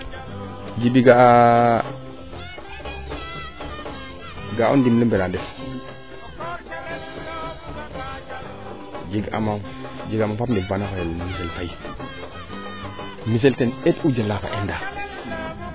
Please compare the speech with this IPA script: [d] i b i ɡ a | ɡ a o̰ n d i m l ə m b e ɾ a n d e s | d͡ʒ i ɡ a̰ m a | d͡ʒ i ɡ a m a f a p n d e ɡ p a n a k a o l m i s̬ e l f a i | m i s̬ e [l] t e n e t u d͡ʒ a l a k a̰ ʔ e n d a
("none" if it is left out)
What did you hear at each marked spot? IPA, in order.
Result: d͡ʒ, l

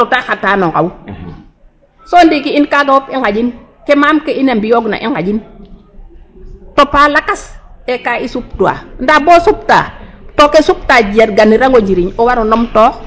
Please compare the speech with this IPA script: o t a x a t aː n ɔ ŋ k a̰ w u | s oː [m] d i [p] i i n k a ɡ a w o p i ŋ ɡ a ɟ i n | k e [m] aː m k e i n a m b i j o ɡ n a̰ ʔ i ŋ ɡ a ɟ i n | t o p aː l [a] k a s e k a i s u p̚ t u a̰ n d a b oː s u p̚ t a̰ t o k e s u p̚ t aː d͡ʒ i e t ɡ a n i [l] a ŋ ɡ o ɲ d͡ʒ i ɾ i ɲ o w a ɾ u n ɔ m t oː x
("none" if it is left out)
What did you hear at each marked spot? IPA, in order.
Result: n, k, m, a, ɾ

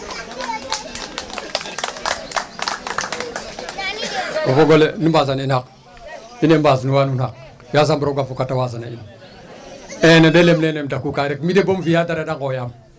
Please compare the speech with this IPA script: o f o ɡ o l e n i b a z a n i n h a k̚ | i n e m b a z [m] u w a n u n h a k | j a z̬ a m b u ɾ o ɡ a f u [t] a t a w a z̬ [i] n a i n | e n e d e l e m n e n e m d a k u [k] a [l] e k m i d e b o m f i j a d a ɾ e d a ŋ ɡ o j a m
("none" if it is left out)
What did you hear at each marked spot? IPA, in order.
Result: n, k, a, k, ɾ

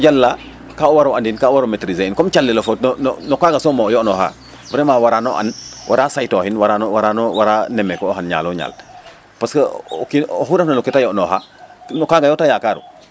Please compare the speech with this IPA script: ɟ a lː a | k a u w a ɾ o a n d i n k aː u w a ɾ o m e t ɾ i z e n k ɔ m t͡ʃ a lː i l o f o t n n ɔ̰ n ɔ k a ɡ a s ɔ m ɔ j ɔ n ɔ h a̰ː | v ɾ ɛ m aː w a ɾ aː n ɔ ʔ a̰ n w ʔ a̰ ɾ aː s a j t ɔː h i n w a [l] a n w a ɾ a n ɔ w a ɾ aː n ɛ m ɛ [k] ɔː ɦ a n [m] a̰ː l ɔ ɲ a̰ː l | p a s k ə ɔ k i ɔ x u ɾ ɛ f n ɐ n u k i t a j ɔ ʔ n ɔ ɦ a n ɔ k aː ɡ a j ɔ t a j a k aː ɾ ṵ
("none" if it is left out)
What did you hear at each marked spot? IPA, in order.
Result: ɾ, k, ɲ

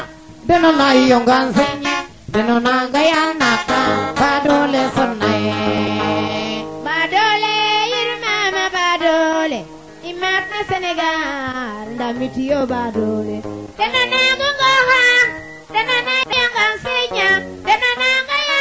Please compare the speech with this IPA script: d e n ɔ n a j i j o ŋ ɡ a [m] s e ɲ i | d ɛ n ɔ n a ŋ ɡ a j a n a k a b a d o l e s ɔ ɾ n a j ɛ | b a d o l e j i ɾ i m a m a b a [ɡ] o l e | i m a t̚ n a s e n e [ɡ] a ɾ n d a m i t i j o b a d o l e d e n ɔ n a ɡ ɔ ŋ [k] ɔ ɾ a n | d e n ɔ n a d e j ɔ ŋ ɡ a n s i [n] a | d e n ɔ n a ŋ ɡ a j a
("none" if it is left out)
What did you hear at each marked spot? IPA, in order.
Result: n, d, ɡ, ɡ, ɲ

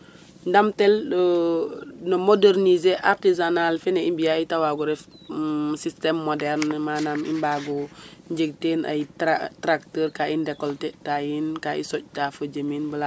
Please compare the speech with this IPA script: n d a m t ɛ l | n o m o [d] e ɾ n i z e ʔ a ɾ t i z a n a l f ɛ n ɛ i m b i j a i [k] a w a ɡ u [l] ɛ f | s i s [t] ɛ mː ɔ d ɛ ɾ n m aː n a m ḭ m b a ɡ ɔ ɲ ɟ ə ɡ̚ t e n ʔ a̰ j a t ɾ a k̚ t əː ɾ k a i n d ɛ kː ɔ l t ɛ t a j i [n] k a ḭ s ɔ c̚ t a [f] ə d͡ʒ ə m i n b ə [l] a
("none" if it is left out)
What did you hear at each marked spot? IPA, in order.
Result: d, t, ɾ, t, n, f, l

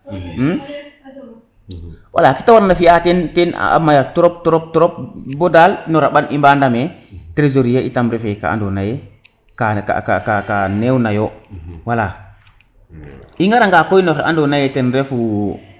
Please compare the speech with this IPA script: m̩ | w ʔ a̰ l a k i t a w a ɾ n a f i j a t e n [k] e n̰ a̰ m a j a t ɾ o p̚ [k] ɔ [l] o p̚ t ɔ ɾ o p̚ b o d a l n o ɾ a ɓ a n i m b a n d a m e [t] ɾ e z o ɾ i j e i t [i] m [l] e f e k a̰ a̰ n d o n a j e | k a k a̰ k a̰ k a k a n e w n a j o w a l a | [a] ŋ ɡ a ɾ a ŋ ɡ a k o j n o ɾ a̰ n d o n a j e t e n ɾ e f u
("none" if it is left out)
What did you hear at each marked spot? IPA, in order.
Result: t, t, ɾ, t, a, ɾ, i

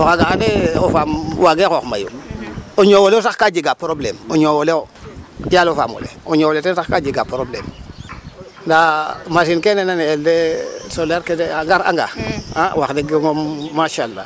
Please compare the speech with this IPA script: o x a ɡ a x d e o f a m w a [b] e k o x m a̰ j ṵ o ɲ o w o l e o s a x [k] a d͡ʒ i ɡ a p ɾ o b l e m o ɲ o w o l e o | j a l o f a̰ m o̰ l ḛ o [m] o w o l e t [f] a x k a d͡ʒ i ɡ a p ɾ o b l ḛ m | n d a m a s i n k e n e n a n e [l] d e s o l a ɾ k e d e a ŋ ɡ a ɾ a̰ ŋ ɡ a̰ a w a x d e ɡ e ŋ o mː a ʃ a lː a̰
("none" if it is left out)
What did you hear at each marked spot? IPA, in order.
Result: ɡ, k, ɲ, s, l

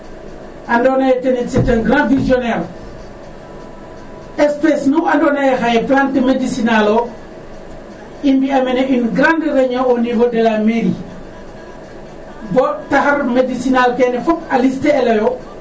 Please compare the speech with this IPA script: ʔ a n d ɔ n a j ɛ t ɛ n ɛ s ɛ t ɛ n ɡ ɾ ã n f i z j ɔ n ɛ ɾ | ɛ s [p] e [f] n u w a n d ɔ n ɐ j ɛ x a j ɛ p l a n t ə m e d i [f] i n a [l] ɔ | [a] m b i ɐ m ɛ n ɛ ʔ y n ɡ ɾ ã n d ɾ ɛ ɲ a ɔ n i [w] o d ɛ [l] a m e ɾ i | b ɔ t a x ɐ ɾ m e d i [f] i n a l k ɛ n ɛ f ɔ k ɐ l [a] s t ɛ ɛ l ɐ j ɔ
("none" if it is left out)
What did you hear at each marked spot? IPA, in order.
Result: p, s, s, l, i, v, l, s, i

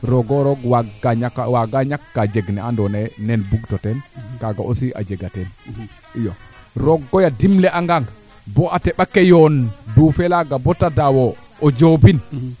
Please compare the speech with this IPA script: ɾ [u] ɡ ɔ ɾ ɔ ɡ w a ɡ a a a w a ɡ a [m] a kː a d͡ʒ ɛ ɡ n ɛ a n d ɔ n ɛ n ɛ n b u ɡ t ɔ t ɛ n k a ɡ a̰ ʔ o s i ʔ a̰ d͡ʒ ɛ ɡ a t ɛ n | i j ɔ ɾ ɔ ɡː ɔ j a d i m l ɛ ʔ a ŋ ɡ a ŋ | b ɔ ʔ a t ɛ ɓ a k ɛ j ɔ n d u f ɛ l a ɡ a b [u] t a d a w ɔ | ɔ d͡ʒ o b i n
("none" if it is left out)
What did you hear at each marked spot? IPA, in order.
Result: ɔ, ɲ, ɔ

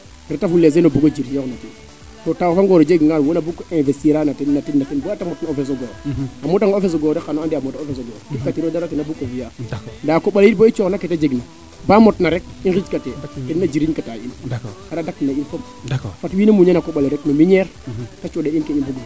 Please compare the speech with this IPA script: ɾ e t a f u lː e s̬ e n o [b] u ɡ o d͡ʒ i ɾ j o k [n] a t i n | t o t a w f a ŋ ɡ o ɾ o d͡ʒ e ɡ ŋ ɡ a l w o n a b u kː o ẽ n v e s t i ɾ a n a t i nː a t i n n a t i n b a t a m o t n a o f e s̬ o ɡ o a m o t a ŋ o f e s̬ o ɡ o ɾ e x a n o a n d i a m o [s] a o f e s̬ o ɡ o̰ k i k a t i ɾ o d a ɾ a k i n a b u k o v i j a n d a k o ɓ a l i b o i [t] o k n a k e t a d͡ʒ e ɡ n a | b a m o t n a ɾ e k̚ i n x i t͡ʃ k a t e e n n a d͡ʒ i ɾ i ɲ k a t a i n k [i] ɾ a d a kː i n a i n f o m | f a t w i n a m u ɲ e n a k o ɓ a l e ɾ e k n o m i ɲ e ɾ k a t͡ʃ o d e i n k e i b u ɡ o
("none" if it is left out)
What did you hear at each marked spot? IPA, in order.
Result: b, n, t, t͡ʃ, a

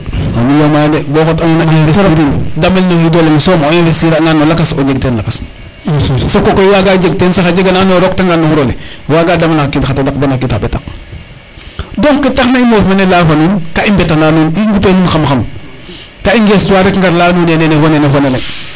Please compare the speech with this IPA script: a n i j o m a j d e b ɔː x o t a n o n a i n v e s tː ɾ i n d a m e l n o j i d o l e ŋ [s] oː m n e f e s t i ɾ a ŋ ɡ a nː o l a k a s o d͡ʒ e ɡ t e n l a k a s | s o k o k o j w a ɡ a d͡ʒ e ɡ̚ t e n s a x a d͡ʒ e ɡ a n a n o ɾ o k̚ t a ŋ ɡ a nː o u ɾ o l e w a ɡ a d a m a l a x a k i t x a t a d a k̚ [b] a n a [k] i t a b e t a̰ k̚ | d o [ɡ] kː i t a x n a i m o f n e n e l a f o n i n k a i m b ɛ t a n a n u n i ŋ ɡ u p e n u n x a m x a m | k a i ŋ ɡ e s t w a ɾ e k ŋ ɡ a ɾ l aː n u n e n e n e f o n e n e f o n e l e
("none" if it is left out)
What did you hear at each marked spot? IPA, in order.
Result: s, b, k, ŋ

